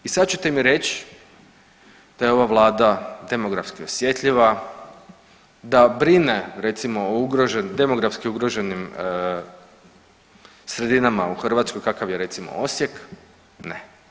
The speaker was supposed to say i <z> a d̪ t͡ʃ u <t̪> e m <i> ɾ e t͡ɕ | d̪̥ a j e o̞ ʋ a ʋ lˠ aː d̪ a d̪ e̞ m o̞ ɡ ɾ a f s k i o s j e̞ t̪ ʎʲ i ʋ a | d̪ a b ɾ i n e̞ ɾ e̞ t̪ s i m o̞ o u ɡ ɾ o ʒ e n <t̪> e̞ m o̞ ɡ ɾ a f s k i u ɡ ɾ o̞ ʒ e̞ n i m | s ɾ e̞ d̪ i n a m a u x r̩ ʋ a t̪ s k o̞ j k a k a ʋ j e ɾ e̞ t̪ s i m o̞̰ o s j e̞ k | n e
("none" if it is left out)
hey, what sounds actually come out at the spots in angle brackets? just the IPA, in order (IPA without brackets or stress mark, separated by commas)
s, t̪, i, d̪